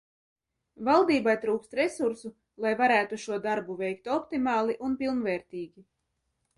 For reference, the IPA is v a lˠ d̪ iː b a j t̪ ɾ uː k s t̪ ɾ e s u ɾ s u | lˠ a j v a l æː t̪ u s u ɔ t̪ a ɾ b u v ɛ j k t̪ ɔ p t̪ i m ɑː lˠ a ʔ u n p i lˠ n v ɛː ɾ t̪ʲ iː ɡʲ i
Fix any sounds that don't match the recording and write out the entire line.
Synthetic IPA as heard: v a lˠ d̪ iː b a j t̪ ɾ uː k s t̪ ɾ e s u ɾ s u | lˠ a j v a ɾ æː t̪ u ʃ u ɔ d̪ a ɾ b u v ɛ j k t̪ ɔ p t̪ i m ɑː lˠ i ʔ u n p i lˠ n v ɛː ɾ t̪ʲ iː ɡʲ i